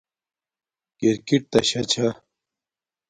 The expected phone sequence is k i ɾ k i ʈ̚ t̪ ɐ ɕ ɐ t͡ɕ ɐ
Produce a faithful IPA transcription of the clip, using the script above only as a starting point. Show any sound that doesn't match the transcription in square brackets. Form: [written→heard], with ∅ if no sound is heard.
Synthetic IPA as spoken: k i ɾ k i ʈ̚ t̪ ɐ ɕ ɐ [t͡ɕ→t͡ɕʰ] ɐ